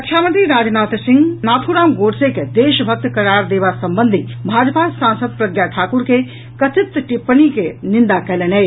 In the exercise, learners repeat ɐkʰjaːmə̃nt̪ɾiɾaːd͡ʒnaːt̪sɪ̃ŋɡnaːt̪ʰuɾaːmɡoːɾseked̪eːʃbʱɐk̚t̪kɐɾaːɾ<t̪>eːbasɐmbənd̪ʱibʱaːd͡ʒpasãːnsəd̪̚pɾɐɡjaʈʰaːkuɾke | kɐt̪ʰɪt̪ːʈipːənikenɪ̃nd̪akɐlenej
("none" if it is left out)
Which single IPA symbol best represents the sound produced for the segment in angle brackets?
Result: d̪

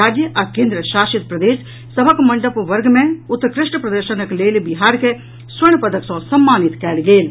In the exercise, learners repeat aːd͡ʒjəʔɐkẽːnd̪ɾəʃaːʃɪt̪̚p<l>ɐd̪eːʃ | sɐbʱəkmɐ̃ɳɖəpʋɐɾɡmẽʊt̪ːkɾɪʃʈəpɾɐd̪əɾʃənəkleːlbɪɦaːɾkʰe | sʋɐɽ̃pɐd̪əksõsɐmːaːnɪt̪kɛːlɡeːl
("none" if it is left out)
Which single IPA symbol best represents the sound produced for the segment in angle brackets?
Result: ɾ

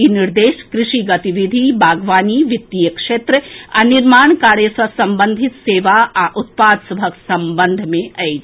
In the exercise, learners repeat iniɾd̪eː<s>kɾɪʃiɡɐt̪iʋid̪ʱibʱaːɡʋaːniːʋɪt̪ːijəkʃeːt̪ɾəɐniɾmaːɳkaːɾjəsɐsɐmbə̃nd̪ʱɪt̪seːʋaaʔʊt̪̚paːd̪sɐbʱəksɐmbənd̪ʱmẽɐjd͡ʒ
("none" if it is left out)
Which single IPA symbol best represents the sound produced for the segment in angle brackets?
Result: ʃ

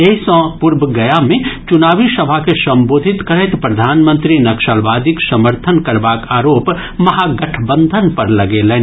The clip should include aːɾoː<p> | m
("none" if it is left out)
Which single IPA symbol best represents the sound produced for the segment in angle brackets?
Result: p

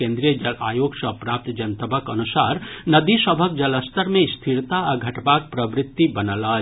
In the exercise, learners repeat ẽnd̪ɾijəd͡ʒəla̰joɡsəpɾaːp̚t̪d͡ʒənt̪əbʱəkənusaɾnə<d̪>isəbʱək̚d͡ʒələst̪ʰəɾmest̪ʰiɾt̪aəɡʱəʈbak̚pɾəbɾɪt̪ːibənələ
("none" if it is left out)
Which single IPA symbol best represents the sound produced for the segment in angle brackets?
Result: d̪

